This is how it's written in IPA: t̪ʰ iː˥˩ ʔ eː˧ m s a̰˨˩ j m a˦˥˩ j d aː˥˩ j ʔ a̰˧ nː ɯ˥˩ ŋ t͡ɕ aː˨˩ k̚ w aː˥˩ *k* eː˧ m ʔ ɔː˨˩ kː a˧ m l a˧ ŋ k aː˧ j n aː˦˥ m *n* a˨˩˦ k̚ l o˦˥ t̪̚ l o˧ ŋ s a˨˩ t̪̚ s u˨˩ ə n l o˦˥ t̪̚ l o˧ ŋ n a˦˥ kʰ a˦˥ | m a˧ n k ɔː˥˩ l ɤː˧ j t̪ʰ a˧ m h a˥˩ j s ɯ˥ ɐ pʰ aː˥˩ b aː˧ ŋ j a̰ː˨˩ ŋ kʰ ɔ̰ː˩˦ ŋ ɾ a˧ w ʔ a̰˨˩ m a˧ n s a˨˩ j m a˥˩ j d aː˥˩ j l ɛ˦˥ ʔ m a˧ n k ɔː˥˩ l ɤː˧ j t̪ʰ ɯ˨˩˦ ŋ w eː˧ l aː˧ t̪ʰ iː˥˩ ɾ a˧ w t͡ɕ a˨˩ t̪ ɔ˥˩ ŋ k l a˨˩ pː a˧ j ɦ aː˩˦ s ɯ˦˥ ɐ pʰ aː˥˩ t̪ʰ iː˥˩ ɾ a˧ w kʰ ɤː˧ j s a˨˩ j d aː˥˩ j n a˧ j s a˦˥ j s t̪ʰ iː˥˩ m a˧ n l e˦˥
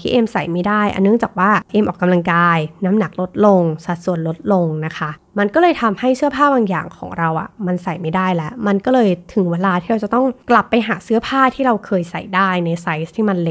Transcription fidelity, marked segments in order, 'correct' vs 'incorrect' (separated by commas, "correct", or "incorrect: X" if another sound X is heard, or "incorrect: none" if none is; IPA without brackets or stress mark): incorrect: ʔ, correct